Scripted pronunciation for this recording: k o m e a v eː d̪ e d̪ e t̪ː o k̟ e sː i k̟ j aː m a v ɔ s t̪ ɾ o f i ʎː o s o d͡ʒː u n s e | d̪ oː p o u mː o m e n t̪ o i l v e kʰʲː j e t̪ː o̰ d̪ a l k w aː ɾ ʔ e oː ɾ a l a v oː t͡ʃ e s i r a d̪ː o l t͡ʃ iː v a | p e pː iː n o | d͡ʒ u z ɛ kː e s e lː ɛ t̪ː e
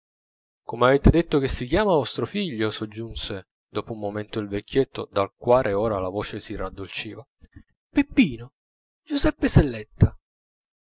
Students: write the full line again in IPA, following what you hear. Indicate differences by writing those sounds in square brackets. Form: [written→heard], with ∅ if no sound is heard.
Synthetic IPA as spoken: k o m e a v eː [d̪→t̪] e d̪ e t̪ː o k̟ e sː i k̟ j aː m a v ɔ s t̪ ɾ o f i ʎː o s o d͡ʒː u n s e | d̪ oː p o u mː o m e n t̪ o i l v e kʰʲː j e t̪ː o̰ d̪ a l k w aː ɾ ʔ e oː ɾ a l a v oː t͡ʃ e s i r a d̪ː o l t͡ʃ iː v a | p e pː iː n o | d͡ʒ u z ɛ [kː→pː] e s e lː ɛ t̪ː [e→a]